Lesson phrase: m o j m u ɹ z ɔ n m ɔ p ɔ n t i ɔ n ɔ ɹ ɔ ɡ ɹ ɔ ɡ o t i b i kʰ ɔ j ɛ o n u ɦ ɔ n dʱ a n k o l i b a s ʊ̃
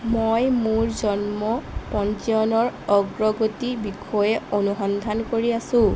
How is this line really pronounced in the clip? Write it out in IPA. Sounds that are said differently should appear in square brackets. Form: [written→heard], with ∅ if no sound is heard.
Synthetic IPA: m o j m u ɹ z ɔ n m ɔ p ɔ n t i ɔ n ɔ ɹ ɔ ɡ ɹ ɔ ɡ o t i b i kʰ ɔ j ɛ o n u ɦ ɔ n dʱ a n k o [l→ɹ] i [b→∅] a s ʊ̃